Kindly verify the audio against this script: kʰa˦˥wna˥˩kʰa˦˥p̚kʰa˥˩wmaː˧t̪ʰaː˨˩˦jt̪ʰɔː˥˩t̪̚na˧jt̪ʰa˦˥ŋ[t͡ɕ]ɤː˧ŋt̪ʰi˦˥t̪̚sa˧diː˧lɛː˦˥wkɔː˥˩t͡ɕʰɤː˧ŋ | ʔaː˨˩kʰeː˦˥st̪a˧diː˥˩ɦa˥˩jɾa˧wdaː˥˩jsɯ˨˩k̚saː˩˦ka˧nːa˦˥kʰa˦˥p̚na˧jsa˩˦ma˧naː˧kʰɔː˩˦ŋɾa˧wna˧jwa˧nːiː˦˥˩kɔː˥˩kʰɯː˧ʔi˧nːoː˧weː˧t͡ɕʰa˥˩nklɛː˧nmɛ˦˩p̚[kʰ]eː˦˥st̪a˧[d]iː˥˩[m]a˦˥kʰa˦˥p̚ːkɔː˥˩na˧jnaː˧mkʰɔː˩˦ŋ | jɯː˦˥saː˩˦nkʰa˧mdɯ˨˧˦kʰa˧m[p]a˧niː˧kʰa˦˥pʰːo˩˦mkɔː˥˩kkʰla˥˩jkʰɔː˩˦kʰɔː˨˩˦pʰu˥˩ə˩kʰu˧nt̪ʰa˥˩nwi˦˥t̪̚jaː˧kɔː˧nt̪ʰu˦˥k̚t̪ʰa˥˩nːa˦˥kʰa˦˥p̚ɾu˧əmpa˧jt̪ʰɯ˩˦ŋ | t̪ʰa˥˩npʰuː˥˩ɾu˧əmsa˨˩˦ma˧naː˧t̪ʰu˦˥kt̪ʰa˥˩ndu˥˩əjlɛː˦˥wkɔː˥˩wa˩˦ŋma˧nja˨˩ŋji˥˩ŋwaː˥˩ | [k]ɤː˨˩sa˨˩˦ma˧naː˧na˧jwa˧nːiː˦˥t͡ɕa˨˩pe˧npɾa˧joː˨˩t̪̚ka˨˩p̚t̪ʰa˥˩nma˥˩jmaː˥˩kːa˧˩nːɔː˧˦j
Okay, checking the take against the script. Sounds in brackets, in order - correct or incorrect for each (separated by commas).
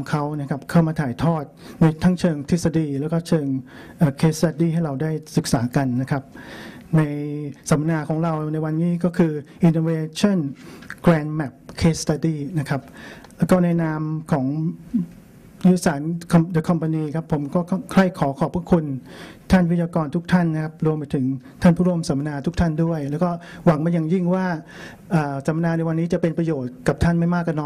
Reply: incorrect, correct, correct, incorrect, correct, incorrect